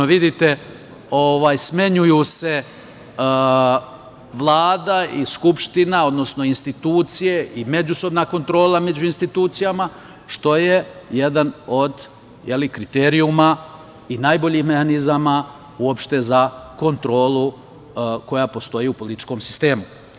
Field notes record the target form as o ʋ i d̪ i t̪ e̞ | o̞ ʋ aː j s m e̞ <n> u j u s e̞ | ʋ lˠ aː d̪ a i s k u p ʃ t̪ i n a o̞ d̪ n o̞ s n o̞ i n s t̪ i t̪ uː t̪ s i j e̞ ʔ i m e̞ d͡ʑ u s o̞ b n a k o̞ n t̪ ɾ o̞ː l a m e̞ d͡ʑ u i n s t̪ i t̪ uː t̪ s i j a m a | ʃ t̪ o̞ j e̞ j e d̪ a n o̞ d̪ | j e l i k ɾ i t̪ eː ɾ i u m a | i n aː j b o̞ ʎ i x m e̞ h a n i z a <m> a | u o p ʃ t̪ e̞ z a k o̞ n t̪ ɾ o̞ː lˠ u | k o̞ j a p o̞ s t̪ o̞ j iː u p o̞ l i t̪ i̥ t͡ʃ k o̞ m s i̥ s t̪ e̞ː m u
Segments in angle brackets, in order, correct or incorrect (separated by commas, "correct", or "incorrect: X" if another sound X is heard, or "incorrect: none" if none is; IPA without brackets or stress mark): incorrect: ɲ, correct